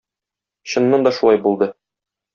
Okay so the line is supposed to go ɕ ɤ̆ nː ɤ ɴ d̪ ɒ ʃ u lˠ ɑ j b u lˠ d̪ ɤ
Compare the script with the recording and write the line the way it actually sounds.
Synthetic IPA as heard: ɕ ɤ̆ nː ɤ n d̪ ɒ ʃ u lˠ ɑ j b u lˠ d̪ ɤ